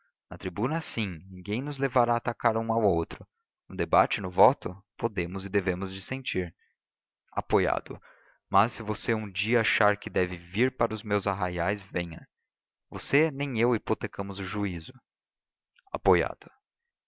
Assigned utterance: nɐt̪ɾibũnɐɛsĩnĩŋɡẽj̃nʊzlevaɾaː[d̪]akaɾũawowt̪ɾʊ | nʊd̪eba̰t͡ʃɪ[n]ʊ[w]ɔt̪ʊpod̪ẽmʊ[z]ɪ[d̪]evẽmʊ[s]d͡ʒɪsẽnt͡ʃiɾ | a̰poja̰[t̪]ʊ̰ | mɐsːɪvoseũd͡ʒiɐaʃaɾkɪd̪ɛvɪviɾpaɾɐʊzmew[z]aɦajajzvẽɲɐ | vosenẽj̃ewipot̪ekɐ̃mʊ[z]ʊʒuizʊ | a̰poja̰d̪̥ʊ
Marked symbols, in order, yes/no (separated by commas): no, yes, no, yes, yes, no, no, yes, yes